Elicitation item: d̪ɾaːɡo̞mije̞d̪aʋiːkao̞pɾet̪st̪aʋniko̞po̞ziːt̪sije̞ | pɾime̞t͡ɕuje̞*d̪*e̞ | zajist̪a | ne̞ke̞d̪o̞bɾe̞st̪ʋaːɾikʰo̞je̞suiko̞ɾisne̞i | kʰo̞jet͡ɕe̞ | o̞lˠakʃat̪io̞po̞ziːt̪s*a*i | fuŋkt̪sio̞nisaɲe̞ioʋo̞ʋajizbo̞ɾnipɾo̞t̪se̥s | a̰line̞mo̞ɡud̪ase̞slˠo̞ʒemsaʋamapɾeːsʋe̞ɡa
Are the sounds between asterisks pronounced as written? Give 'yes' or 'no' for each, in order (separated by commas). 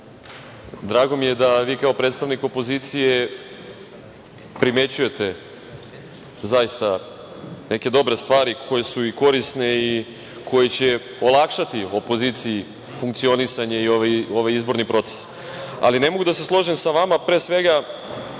no, no